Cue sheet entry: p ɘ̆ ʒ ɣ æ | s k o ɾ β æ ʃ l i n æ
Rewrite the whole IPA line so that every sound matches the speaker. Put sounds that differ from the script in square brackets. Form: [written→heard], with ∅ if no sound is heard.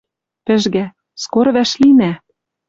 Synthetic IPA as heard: p ɘ̆ ʒ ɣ æ | s k o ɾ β æ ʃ l i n æ

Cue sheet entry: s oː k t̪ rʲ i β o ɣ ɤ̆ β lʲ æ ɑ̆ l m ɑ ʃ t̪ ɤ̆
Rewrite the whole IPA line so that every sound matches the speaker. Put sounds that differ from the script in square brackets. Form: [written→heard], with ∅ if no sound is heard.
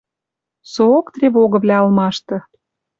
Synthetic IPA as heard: s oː k t̪ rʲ [i→e] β o ɣ ɤ̆ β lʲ æ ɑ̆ l m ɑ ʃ t̪ ɤ̆

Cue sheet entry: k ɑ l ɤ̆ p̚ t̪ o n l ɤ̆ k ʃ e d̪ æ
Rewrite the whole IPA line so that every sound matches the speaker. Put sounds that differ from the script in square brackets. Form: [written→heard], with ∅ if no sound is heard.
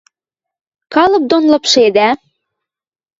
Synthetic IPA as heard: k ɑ l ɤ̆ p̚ [t̪→d̪] o n l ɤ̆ [k→p] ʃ e d̪ æ

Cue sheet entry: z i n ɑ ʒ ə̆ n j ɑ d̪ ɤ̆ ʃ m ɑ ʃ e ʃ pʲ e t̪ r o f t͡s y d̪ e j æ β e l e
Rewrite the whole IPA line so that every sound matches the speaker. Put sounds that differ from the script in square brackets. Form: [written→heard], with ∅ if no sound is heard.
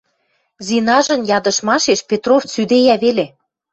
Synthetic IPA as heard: z i n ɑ ʒ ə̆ n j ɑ d̪ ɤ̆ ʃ m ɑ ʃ e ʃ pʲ e t̪ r o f t͡s y d̪ e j æ β e l e

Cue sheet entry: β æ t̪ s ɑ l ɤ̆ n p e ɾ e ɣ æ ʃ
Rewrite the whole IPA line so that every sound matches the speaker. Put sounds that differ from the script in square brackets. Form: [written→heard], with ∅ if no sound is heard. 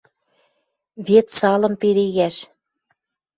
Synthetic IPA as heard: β [æ→e] t̪ s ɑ l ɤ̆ [n→m] p e ɾ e ɣ æ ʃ

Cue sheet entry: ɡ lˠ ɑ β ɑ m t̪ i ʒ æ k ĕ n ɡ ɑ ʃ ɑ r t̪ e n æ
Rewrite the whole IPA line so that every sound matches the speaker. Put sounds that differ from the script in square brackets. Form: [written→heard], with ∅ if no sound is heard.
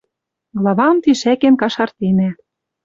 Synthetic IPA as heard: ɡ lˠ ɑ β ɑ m t̪ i [ʒ→ʃ] æ k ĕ n [ɡ→k] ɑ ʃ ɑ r t̪ e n æ

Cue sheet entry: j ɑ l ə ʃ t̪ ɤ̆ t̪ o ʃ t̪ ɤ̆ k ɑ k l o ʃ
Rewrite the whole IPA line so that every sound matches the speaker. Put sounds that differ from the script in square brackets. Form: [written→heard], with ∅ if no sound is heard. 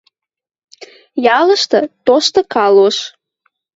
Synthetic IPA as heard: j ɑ l ə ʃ t̪ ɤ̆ t̪ o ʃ t̪ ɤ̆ k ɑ [k→∅] l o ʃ

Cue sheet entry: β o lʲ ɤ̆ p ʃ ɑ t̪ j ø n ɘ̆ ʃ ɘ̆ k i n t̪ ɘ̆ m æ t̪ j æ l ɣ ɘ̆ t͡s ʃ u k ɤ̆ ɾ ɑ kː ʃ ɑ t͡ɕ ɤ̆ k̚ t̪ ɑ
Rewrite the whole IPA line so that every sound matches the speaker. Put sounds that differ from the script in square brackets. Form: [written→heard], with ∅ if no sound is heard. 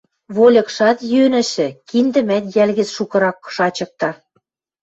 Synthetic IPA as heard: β o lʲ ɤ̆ [p→k] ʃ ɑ t̪ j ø n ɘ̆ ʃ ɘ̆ k i n [t̪→d̪] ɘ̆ m æ t̪ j æ l ɣ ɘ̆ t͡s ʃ u k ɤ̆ ɾ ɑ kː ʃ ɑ t͡ɕ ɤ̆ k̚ t̪ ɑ

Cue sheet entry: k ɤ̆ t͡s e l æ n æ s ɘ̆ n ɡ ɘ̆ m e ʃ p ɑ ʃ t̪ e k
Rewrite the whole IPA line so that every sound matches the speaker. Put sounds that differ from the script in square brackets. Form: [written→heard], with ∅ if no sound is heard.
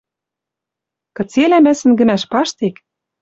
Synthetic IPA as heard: k ɤ̆ t͡s e l æ [n→m] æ s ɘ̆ n ɡ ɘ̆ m [e→æ] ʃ p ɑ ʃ t̪ e k

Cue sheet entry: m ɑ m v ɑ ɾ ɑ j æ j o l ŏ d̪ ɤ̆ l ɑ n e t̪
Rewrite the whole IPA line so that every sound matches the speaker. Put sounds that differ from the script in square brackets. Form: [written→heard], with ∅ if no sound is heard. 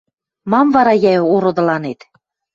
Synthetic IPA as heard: m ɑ m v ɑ ɾ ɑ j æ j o [l→ɾ] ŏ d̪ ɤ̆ l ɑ n e t̪

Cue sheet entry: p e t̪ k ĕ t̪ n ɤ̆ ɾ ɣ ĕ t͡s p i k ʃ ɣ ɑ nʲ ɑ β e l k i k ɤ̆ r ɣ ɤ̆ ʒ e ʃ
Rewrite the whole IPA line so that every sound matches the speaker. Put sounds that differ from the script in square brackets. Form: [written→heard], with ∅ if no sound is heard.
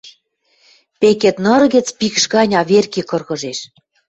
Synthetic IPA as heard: p e [t̪→∅] k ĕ t̪ n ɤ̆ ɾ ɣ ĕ t͡s p i k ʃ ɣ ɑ nʲ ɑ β e [l→r] k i k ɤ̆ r ɣ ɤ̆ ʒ e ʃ

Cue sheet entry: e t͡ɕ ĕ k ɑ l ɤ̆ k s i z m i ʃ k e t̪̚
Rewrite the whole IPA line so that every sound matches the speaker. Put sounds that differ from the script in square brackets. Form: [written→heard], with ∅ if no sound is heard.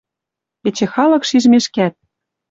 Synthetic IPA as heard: e t͡ɕ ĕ [k→x] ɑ l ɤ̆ k [s→ʃ] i [z→ʒ] m [i→e] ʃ k [e→æ] t̪̚

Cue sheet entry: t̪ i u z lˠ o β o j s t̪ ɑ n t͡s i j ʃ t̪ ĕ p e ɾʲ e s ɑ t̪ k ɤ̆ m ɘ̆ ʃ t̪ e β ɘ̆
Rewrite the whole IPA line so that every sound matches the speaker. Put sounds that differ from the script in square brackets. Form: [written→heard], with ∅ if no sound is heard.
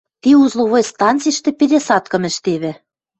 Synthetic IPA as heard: t̪ i u z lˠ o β o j s t̪ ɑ n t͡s i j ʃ t̪ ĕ p e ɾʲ e s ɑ t̪ k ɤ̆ m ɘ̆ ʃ t̪ e β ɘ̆

